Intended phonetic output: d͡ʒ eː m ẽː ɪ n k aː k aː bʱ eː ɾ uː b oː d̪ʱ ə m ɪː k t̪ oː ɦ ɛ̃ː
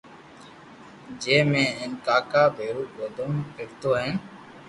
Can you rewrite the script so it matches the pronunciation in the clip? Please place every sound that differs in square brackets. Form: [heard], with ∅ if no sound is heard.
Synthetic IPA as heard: d͡ʒ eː m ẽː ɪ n k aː k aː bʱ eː ɾ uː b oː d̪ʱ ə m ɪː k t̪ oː ɦ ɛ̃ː